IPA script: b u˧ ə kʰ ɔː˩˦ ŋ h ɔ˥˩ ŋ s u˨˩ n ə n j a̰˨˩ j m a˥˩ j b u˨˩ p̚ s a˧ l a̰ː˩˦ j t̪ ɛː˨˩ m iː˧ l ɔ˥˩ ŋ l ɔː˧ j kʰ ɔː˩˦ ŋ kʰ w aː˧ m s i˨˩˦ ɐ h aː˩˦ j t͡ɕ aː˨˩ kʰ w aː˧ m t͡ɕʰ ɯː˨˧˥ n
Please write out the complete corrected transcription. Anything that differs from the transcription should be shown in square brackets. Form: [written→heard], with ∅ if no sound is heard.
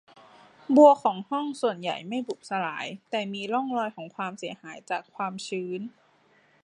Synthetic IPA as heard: b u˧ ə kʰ ɔː˩˦ ŋ h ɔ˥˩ ŋ s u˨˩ [n→∅] ə n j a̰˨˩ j m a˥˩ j b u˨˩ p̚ s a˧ l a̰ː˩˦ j t̪ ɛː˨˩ m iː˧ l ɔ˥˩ ŋ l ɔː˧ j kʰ ɔː˩˦ ŋ kʰ w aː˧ m s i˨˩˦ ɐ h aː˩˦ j t͡ɕ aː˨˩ kʰ w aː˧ m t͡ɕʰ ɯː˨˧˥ n